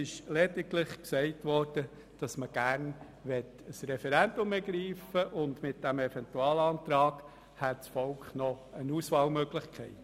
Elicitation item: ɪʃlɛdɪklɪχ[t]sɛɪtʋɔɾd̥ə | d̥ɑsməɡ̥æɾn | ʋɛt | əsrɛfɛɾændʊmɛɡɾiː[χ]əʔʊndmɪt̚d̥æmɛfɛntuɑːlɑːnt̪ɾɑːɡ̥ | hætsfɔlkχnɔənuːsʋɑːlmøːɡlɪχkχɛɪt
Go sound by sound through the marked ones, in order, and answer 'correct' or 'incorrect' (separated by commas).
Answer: incorrect, incorrect